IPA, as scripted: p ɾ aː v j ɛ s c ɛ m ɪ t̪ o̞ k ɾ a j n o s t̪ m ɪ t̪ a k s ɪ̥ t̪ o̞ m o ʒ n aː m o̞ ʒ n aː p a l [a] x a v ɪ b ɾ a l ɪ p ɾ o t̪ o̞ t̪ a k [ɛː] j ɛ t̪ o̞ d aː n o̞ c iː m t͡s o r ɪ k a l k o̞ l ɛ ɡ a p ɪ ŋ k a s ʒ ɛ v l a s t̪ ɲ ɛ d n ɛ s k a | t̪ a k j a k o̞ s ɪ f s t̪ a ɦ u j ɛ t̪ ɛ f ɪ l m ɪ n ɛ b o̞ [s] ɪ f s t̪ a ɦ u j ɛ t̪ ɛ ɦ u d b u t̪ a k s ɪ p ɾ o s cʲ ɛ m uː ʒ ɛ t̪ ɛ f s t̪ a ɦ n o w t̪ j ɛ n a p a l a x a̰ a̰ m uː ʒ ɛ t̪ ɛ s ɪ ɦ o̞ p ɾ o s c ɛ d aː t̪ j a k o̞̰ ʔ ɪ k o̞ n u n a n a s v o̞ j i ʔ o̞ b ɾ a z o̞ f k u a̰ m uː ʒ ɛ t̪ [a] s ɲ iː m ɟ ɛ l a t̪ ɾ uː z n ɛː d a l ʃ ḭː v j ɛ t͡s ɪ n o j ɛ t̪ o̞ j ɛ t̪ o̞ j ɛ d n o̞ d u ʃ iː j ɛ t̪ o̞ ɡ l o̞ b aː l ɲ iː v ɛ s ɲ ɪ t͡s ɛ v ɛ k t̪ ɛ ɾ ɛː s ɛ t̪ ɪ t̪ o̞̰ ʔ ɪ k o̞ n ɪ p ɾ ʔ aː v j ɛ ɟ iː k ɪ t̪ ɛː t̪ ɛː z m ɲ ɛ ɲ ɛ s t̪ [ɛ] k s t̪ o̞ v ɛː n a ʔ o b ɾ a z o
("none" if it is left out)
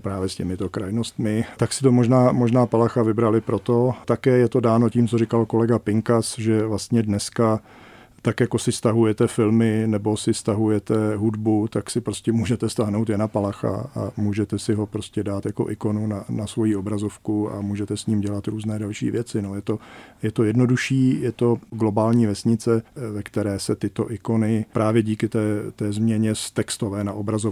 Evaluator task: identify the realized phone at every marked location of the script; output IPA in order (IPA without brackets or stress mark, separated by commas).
a, ɛː, s, ɛ, ɛ